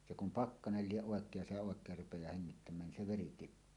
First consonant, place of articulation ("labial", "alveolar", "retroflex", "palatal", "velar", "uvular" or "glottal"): alveolar